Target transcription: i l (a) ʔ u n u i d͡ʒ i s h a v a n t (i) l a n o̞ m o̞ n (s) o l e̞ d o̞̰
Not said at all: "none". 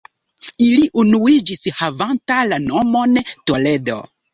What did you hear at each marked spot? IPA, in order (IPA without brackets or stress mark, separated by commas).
i, a, t